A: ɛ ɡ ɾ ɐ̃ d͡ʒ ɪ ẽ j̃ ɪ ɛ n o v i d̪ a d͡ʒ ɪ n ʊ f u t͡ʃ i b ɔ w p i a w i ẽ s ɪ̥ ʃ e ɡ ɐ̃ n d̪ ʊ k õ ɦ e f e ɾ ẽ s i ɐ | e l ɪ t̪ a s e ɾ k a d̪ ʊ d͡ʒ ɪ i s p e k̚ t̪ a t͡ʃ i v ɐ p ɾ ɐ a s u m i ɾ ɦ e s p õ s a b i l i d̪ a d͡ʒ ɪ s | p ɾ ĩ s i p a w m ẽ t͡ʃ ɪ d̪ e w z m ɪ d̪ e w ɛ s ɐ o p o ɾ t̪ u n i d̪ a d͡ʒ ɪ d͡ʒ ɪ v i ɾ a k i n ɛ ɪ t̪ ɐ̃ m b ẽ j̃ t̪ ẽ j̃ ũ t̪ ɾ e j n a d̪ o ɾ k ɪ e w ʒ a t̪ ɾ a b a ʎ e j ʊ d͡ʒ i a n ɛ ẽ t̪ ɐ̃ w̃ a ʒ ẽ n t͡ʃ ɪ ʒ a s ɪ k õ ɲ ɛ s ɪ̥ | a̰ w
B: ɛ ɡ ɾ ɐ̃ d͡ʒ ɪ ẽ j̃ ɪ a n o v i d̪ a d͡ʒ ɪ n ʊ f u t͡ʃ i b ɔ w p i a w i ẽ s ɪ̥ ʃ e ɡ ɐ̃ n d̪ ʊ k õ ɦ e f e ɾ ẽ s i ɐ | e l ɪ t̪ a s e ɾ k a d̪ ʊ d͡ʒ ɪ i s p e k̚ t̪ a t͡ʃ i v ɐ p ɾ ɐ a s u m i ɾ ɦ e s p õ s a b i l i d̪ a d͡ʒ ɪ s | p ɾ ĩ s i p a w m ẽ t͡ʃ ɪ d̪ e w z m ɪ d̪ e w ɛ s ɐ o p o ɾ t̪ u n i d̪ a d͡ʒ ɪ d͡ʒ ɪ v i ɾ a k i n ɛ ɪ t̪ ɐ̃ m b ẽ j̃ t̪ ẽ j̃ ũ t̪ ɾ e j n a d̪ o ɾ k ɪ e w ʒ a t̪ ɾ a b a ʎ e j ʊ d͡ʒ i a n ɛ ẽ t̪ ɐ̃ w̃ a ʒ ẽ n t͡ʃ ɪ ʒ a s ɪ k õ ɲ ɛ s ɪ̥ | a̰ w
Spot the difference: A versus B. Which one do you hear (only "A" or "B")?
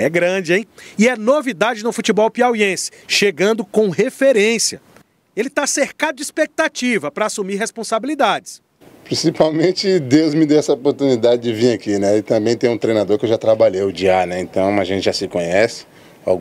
A